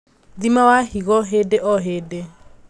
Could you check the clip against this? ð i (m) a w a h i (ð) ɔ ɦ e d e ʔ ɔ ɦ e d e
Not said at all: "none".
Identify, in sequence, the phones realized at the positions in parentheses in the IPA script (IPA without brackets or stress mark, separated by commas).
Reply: m, ɣ